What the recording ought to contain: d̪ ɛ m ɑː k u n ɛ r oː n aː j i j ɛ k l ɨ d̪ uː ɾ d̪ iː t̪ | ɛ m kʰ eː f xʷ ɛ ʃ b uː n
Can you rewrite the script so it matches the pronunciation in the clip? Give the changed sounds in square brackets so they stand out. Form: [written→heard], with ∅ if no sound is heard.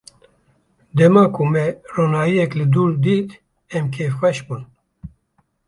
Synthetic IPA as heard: d̪ ɛ m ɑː k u [n→m] ɛ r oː n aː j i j ɛ k l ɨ d̪ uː ɾ d̪ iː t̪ | ɛ m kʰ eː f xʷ ɛ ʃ b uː n